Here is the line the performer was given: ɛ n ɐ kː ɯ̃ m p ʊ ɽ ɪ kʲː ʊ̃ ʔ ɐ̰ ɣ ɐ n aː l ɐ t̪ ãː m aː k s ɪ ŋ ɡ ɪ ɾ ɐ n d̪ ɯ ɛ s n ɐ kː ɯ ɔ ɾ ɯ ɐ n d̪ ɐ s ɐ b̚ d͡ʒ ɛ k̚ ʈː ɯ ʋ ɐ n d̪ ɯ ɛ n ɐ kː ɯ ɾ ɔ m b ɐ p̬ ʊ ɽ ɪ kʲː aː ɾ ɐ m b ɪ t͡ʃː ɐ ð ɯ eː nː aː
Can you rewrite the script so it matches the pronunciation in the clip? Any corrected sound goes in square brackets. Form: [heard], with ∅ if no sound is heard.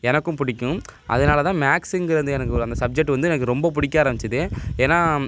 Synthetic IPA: ɛ n ɐ kː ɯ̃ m p ʊ ɽ ɪ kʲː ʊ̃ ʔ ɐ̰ [ð] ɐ n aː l ɐ t̪ ãː m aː k s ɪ ŋ ɡ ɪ ɾ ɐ n d̪ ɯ ɛ [∅] n ɐ kː ɯ ɔ ɾ ɯ ɐ n d̪ ɐ s ɐ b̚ d͡ʒ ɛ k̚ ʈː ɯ ʋ ɐ n d̪ ɯ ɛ n ɐ kː ɯ ɾ ɔ m b ɐ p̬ ʊ ɽ ɪ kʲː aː ɾ ɐ m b ɪ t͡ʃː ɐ ð ɯ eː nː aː